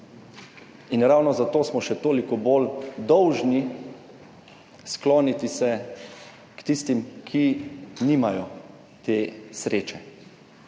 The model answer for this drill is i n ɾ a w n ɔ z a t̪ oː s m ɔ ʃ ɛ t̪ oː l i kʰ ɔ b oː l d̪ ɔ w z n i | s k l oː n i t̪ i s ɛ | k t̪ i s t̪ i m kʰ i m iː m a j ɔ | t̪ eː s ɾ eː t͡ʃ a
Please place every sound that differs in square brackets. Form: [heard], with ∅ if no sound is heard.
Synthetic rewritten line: i n ɾ a w n ɔ z a t̪ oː s m ɔ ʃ ɛ t̪ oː l i [k] ɔ b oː l d̪ ɔ w [ʒ] n i | s k l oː n i t̪ i s ɛ | k t̪ i s t̪ i m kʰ i [n] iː m a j ɔ | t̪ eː s ɾ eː t͡ʃ [ɛ]